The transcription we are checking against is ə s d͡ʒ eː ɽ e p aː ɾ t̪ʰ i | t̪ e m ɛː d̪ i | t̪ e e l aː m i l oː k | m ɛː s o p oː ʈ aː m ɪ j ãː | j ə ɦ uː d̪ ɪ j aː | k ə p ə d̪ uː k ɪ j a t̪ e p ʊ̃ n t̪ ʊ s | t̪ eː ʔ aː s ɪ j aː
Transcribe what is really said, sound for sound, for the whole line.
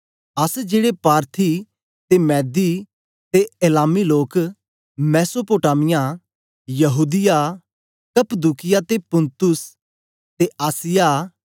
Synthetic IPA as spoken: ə s d͡ʒ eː ɽ e p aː ɾ t̪ʰ i | t̪ e m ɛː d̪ i | t̪ e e l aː m i l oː k | m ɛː s o p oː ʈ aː m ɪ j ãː | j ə ɦ uː d̪ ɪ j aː | k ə p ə d̪ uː k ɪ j a t̪ e p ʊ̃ n t̪ ʊ s | t̪ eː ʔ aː s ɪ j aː